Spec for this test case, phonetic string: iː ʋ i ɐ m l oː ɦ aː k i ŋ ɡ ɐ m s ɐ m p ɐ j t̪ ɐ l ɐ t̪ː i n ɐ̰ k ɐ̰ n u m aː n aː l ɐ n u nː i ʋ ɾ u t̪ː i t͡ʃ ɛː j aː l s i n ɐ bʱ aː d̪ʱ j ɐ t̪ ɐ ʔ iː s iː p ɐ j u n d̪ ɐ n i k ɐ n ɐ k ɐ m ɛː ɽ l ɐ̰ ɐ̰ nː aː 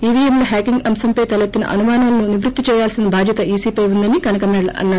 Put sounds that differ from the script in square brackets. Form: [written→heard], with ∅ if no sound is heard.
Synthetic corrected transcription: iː ʋ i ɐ m l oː ɦ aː k i ŋ ɡ ɐ m s ɐ m p ɐ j t̪ ɐ l ɐ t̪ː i n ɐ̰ [k→ʔ] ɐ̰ n u m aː n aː l ɐ n u [nː→n] i ʋ ɾ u t̪ː i t͡ʃ ɛː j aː l s i n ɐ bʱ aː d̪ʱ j ɐ t̪ ɐ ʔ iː s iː p ɐ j u n d̪ ɐ n i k ɐ n ɐ k ɐ m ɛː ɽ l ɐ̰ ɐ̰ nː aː